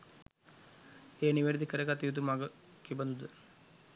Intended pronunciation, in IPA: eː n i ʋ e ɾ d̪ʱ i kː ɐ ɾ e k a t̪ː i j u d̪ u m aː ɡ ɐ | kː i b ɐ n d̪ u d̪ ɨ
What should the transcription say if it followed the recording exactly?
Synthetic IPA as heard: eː n i ʋ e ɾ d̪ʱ i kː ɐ ɾ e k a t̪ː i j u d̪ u m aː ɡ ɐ | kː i b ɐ n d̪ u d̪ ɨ